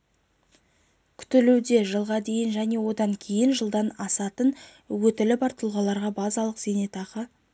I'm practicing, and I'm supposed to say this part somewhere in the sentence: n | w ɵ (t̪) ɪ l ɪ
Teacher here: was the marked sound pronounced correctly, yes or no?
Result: yes